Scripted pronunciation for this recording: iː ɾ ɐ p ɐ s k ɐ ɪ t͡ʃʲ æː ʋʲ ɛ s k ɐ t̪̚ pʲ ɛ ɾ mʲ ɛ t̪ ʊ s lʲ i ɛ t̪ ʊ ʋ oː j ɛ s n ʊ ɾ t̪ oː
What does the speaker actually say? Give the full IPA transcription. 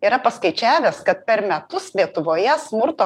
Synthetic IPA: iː ɾ ɐ p ɐ s k ɐ ɪ t͡ʃʲ æː ʋʲ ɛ s k ɐ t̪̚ pʲ ɛ ɾ mʲ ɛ t̪ ʊ s lʲ i ɛ t̪ ʊ ʋ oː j ɛ s m ʊ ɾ t̪ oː